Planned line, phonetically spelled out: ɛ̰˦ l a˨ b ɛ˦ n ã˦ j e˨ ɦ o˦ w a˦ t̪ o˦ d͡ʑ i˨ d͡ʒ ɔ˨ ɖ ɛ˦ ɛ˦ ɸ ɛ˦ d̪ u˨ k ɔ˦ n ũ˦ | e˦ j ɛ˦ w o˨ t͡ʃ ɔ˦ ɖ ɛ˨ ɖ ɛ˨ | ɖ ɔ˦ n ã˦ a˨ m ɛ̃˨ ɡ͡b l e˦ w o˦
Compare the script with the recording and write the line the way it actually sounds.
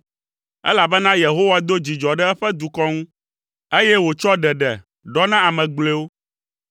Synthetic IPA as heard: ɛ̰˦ l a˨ b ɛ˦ n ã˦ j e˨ ɦ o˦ w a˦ d̪ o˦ d͡ʑ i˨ d͡ʒ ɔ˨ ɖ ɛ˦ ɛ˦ ɸ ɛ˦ d̪ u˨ k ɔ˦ ŋ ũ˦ | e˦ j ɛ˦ w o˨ t͡ʃ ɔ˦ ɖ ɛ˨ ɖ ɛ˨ | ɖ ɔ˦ n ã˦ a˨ m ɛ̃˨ ɡ͡b l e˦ w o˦